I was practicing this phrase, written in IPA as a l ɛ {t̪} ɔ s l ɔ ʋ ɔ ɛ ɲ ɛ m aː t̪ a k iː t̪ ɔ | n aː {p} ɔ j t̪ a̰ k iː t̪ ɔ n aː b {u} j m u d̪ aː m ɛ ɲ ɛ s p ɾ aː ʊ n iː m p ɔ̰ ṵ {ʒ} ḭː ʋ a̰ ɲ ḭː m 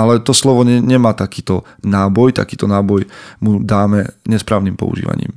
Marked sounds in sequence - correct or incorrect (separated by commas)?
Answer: correct, incorrect, incorrect, correct